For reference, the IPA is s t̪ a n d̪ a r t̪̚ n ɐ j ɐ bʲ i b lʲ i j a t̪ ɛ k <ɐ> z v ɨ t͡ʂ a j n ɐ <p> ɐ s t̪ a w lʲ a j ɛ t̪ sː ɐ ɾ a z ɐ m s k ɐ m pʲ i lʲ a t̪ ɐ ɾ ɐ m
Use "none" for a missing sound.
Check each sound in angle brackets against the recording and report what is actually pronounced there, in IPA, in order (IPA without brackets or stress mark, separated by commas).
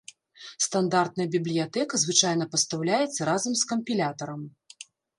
ɐ, p